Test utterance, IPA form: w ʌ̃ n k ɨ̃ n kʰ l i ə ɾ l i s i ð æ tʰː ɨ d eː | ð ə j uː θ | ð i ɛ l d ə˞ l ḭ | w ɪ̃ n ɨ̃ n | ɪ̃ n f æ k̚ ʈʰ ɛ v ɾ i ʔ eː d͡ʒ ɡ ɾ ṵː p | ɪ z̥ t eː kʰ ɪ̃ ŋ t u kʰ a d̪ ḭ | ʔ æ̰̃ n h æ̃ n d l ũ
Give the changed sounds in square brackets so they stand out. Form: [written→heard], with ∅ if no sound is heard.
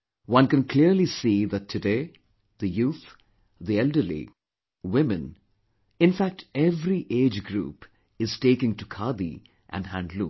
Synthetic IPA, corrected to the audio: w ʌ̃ n k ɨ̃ n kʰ l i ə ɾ l i s i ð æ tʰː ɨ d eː | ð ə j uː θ | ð i ɛ l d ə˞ l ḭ | w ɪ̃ [n→m] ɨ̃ n | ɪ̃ n f æ k̚ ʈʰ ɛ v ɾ i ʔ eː d͡ʒ ɡ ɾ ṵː p | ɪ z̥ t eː [kʰ→k] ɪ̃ ŋ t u kʰ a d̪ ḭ | ʔ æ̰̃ n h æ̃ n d l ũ